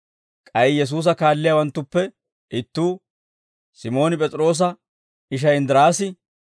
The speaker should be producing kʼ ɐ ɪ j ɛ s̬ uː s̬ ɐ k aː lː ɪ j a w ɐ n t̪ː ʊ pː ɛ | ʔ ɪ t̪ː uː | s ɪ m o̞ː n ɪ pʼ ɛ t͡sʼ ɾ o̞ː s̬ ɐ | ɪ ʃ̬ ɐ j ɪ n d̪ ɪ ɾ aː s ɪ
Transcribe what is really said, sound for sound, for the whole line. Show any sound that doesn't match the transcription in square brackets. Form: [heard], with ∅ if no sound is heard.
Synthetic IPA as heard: kʼ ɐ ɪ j ɛ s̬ uː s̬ ɐ k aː lː ɪ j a w ɐ n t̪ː ʊ pː ɛ | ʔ ɪ t̪ː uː | s ɪ m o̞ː n ɪ pʼ ɛ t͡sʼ ɾ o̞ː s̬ ɐ | ɪ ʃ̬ ɐ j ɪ n d̪ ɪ ɾ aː s ɪ